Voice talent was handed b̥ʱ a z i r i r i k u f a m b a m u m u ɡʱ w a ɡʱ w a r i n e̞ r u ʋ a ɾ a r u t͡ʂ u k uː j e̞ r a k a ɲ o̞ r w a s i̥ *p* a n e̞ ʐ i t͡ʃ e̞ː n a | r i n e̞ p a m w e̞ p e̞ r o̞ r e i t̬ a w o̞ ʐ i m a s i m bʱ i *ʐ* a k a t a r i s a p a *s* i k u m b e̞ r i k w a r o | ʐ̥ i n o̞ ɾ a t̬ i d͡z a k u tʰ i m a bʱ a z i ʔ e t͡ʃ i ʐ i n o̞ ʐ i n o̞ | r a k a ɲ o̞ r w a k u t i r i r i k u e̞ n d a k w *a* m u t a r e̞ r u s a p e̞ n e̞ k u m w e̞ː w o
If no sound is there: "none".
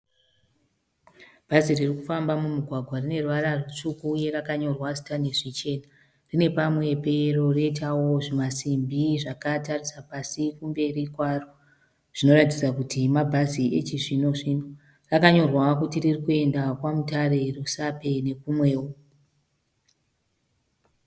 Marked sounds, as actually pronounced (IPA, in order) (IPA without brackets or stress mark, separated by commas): t, ʐ, s, a